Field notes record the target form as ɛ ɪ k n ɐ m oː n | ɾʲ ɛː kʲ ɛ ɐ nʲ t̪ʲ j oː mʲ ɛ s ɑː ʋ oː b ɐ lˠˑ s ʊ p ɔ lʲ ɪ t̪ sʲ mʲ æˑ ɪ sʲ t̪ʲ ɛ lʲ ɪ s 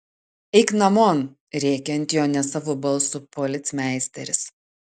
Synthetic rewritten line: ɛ ɪ k n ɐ m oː n | ɾʲ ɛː kʲ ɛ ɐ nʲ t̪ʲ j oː nʲ ɛ s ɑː ʋ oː b ɐ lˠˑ s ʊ p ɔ lʲ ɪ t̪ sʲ mʲ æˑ ɪ sʲ t̪ʲ ɛ ɾʲ ɪ s